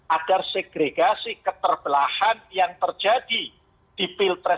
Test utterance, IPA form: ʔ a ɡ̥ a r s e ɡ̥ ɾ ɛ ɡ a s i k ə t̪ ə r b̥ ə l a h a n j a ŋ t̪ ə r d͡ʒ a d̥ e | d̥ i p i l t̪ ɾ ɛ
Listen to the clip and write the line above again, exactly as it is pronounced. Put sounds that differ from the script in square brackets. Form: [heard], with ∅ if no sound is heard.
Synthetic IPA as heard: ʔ a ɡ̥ a r s e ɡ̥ ɾ [e] ɡ a s i k ə t̪ ə r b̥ ə l a h a n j a ŋ t̪ ə r d͡ʒ a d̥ [i] | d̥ i p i l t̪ ɾ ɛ